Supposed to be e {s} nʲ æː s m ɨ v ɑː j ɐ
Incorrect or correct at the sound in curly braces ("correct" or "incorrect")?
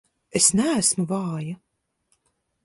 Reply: correct